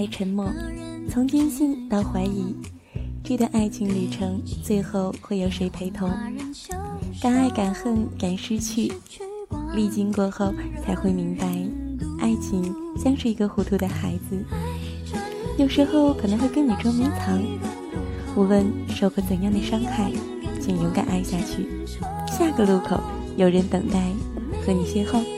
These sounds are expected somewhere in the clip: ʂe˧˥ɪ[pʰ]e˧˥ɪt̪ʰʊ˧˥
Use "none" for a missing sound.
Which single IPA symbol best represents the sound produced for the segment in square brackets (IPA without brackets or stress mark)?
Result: pʰ